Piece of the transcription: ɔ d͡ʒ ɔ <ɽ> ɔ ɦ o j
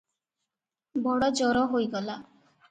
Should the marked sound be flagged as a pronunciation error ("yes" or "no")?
yes